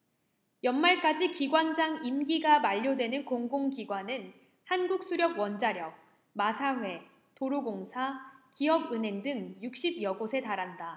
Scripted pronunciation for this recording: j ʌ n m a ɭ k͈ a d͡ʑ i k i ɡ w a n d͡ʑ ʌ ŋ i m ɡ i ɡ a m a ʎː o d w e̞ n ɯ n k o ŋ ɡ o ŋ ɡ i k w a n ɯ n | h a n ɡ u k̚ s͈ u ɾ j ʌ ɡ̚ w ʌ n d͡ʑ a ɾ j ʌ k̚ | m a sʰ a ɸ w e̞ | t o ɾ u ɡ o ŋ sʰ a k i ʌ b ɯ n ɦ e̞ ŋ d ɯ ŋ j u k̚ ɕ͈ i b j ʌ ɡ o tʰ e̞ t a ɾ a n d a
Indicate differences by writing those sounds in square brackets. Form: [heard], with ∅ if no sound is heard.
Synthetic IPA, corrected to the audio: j ʌ n m a ɭ k͈ a d͡ʑ i k i ɡ w a n d͡ʑ [a] ŋ i m ɡ i ɡ a m a ʎː o d w e̞ n ɯ n k o ŋ ɡ o ŋ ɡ i [ɡ] w a n ɯ n | h a n ɡ u k̚ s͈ u ɾ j ʌ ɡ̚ w ʌ n d͡ʑ a ɾ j ʌ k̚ | m a sʰ a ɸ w e̞ | t o ɾ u ɡ o ŋ sʰ a k i ʌ b ɯ n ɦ e̞ ŋ d ɯ ŋ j u k̚ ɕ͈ i b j ʌ ɡ o [sʰ] e̞ t a ɾ a n d a